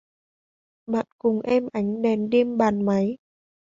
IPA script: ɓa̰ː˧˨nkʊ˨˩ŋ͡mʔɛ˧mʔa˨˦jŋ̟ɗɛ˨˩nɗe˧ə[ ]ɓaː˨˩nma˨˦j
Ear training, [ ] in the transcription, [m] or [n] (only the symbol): m